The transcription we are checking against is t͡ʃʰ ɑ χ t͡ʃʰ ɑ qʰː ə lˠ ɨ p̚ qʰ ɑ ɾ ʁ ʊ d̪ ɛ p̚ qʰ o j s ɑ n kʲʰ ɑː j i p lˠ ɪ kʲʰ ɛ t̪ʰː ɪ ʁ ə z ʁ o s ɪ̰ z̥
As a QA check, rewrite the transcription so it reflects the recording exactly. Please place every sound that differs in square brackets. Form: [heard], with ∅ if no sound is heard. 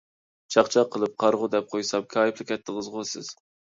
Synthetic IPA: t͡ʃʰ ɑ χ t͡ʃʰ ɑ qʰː ə lˠ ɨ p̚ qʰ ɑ ɾ ʁ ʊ d̪ ɛ p̚ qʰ o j s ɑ [m] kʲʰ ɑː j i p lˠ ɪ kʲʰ ɛ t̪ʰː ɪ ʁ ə z ʁ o s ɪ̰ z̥